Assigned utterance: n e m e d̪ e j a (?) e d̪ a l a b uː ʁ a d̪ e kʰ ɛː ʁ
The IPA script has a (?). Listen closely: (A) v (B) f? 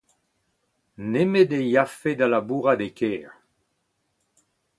B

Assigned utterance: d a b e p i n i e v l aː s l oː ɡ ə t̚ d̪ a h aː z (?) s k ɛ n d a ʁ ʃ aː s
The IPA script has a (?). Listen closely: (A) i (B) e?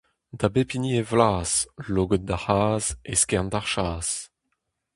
B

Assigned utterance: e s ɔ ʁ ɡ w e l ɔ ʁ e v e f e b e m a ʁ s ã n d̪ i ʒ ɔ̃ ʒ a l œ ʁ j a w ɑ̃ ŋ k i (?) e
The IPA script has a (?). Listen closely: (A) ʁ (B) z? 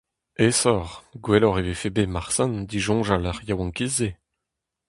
B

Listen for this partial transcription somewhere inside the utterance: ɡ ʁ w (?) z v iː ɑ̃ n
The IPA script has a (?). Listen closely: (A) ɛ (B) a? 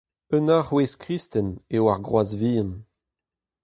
B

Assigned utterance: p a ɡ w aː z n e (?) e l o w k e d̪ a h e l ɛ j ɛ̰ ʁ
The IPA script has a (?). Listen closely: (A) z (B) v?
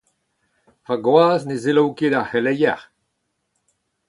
A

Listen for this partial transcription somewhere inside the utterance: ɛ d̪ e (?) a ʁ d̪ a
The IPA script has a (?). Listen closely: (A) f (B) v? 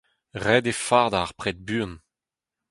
A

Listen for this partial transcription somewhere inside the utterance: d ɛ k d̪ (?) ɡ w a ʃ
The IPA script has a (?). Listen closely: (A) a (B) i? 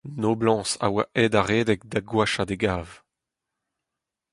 A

